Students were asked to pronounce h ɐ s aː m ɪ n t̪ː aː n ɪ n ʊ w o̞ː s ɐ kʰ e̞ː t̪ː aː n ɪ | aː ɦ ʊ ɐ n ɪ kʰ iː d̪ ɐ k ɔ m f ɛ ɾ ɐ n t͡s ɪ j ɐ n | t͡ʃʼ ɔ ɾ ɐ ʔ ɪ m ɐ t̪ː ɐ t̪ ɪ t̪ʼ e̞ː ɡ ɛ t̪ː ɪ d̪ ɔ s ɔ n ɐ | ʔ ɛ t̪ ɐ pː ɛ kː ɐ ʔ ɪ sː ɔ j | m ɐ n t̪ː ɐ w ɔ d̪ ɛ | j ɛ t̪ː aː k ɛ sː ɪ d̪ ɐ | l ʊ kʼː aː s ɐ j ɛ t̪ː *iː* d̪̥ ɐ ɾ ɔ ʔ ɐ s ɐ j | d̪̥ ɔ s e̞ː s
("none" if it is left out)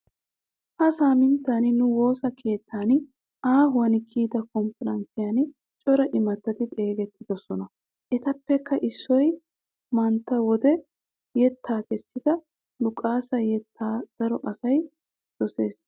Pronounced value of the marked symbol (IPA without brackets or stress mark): aː